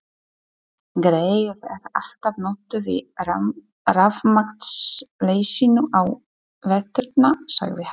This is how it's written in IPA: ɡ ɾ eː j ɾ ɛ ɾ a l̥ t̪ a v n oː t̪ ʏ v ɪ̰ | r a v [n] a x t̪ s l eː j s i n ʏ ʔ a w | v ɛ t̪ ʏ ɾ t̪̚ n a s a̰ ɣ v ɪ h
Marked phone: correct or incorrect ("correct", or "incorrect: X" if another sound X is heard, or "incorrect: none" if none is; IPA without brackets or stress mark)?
incorrect: m